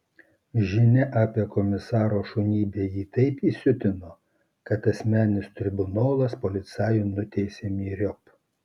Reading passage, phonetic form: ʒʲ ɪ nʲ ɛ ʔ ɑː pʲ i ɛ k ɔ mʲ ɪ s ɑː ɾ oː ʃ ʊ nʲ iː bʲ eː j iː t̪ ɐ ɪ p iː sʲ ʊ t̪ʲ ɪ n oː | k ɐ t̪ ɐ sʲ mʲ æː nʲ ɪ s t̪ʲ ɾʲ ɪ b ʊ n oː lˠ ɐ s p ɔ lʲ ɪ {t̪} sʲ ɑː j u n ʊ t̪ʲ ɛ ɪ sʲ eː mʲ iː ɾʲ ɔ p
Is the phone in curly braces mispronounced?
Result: no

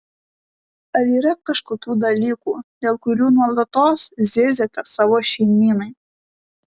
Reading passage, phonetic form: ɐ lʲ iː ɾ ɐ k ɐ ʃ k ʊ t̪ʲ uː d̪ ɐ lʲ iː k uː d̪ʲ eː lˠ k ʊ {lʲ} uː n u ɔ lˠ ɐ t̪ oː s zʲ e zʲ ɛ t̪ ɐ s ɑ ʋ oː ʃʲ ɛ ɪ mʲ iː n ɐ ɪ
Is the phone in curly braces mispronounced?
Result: yes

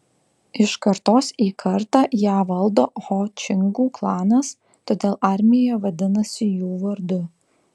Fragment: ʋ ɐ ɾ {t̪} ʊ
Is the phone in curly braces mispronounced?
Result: yes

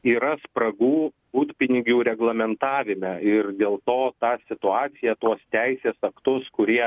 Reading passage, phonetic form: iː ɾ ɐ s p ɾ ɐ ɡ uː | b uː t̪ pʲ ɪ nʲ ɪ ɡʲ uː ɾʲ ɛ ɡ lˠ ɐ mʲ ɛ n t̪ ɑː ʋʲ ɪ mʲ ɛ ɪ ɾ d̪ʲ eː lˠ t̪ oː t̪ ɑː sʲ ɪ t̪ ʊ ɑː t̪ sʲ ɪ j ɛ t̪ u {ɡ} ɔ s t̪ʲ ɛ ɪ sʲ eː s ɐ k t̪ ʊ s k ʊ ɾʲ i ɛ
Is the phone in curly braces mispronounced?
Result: yes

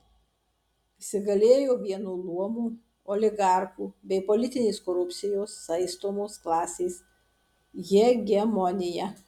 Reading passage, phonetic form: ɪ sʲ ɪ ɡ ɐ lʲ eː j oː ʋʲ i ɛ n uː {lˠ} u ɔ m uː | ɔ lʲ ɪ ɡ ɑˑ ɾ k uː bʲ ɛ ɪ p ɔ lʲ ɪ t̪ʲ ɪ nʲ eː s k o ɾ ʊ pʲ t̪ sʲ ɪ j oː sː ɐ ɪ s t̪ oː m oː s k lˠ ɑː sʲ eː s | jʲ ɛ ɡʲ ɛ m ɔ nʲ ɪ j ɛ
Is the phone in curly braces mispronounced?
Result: no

